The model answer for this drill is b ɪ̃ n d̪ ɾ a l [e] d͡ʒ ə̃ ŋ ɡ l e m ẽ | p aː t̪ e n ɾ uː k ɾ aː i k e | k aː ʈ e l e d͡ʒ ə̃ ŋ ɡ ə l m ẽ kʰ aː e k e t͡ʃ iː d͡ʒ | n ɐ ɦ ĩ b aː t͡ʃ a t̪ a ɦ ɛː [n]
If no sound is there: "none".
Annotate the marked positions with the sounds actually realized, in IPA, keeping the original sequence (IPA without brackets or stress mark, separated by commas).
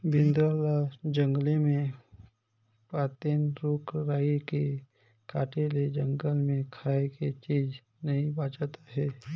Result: a, none